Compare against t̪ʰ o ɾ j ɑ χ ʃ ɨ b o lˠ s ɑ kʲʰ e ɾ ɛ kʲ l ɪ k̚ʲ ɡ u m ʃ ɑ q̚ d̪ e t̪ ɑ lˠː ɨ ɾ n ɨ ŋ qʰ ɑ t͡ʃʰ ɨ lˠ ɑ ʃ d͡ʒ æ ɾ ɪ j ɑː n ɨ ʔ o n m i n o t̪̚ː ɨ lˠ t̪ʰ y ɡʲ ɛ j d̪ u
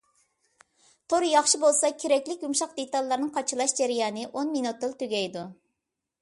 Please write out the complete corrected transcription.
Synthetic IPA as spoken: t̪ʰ o ɾ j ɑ χ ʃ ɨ b o lˠ s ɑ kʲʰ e ɾ ɛ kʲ l ɪ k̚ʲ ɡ u m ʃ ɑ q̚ d̪ e t̪ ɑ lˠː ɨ ɾ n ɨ ŋ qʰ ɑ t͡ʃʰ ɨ lˠ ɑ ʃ d͡ʒ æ ɾ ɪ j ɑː n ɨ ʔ o n m i n u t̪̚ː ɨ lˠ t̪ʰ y ɡʲ ɛ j d̪ u